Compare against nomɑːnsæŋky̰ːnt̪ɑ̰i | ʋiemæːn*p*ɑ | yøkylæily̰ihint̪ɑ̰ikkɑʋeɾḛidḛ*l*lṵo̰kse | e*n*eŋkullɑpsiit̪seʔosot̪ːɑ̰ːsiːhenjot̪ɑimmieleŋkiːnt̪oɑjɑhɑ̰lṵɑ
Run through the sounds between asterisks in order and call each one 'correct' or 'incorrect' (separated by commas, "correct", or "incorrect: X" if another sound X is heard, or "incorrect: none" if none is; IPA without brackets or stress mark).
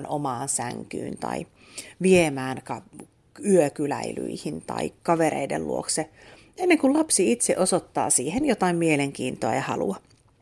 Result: incorrect: k, correct, incorrect: nː